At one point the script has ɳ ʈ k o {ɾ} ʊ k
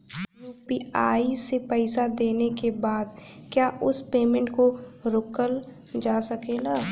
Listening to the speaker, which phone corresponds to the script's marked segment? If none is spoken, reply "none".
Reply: ɾ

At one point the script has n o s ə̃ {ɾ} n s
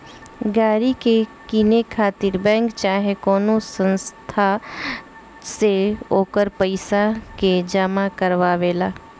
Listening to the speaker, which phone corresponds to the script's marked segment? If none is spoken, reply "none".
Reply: none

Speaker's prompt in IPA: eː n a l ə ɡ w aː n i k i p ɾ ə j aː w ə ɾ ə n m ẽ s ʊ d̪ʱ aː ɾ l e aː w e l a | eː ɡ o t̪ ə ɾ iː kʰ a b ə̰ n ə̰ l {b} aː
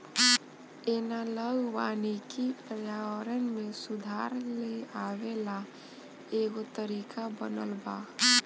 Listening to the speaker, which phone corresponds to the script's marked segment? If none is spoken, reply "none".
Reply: b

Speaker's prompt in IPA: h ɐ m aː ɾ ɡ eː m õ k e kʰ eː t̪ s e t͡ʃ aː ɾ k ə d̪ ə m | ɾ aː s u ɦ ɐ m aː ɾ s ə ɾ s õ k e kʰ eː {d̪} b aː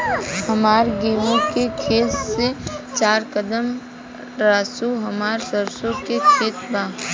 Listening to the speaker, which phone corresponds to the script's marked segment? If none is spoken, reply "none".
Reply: t̪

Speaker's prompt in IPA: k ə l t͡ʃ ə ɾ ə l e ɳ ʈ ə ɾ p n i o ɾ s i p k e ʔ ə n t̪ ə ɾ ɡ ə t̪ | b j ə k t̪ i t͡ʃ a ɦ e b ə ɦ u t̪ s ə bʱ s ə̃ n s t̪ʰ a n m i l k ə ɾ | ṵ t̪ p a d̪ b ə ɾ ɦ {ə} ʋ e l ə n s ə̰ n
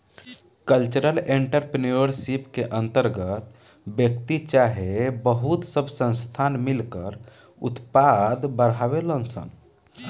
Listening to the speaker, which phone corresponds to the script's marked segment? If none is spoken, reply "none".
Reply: a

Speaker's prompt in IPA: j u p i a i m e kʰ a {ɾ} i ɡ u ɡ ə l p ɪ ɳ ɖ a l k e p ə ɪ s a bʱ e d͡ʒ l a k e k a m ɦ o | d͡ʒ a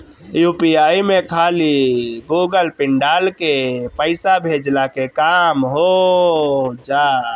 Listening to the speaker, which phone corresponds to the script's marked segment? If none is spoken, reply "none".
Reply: l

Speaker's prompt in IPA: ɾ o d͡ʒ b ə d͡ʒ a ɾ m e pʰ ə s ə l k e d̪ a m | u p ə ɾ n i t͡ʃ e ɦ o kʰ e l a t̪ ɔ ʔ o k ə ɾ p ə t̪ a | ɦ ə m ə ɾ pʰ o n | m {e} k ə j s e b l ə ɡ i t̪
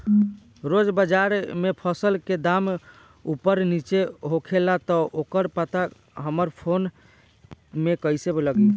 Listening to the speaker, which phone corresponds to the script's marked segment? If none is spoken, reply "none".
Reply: e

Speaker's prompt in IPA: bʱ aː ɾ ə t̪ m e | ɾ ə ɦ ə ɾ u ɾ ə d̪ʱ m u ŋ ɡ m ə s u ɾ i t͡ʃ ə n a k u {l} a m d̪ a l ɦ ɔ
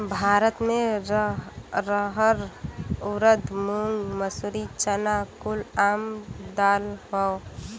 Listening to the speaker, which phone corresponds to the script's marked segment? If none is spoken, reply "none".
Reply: l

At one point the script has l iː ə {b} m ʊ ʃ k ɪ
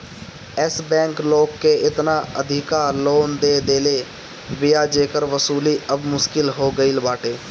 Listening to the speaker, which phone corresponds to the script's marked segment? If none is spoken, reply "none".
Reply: b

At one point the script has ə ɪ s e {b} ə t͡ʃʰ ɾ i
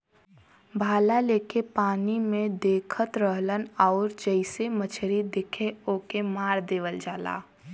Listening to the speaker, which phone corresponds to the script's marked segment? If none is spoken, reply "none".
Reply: m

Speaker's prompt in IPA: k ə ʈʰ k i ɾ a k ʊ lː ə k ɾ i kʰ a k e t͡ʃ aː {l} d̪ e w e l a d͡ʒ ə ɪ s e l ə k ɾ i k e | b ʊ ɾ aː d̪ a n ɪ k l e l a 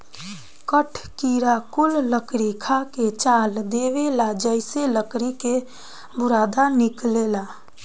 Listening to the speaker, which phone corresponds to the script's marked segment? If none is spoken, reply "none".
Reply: l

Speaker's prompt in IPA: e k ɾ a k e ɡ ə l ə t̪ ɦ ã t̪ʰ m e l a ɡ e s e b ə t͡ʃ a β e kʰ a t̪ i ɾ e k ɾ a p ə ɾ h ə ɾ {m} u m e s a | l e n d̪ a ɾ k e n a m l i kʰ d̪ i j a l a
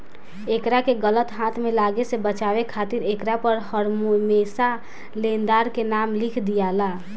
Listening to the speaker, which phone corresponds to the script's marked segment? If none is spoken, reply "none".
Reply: m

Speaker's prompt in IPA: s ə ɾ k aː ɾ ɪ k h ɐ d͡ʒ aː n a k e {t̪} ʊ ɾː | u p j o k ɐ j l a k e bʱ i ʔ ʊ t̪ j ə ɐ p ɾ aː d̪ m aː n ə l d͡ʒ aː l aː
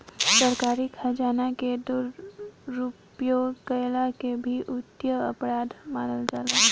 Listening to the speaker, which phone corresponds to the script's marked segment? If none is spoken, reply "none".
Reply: d̪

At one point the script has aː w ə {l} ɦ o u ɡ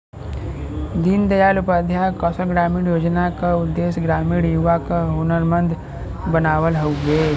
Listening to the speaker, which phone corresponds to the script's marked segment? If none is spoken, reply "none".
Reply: l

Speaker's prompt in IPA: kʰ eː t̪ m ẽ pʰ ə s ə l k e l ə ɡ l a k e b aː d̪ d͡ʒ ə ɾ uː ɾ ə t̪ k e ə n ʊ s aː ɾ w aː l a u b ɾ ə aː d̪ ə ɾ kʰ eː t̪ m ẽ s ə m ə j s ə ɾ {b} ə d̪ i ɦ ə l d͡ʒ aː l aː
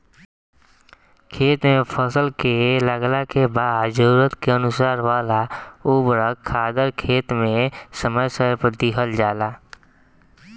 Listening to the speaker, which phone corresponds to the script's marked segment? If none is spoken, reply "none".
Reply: p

